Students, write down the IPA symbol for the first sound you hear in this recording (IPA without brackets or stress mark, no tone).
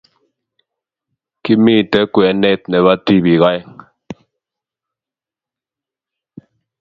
k